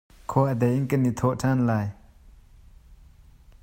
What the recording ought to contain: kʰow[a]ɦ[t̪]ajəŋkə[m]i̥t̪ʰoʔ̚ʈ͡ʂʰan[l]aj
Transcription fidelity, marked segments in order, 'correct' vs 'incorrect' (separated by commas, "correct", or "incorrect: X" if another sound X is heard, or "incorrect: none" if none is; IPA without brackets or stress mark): correct, incorrect: d̪, incorrect: n, correct